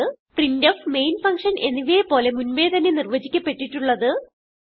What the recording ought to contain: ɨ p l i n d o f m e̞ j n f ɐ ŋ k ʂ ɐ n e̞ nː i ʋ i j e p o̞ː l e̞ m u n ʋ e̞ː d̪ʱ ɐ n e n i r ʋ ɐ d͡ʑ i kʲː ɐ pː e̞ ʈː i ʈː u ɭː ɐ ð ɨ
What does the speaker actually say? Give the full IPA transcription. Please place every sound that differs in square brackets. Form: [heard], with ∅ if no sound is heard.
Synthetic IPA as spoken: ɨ p [r] i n d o f m e̞ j n f ɐ ŋ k ʂ ɐ n e̞ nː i ʋ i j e p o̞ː l e̞ m u n ʋ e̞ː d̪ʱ ɐ n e n i r ʋ ɐ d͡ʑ i kʲː ɐ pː e̞ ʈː i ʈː u ɭː ɐ ð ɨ